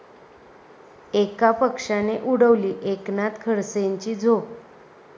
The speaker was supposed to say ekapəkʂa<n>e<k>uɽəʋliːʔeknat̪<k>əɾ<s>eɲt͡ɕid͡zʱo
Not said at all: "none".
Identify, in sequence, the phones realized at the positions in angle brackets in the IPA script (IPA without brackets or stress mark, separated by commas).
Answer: n, ʔ, kʰ, s